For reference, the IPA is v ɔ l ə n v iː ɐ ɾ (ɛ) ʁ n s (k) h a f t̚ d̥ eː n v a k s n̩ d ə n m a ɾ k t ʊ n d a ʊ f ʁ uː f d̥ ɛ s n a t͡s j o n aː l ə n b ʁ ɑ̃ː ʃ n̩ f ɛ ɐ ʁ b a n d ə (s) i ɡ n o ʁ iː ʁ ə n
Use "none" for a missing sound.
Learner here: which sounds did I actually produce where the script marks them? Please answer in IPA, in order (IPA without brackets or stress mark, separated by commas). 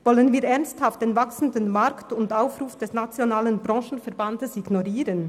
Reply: ɛ, t, s